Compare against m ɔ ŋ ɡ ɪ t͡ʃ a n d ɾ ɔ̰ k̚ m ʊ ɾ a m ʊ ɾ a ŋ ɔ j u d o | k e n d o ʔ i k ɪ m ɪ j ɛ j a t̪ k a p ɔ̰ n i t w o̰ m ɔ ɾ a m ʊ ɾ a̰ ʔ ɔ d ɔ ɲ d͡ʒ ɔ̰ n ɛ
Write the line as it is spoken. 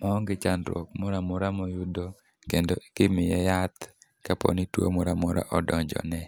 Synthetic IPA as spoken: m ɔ ŋ ɡ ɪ t͡ʃ a n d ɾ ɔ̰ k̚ m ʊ ɾ a m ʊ ɾ a m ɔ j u d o | k e n d o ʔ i k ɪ m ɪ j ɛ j a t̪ k a p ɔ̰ n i t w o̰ m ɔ ɾ a m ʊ ɾ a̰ ʔ ɔ d ɔ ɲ d͡ʒ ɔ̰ n ɛ